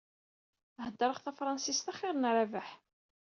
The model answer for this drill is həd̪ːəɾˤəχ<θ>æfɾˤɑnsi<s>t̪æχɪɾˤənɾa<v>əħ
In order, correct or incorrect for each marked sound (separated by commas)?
correct, correct, correct